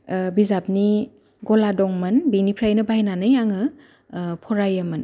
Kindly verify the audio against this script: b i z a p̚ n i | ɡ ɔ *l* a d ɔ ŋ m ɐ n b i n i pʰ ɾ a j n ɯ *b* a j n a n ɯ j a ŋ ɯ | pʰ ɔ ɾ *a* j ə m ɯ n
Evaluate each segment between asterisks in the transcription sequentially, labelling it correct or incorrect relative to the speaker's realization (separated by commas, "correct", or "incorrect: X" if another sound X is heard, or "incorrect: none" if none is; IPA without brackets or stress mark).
correct, correct, correct